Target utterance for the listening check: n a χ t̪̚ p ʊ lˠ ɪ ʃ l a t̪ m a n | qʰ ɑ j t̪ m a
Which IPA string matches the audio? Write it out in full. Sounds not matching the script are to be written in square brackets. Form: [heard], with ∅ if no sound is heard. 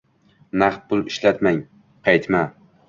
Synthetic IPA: n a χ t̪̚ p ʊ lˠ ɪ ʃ l a t̪ m a [ŋ] | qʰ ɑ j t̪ m a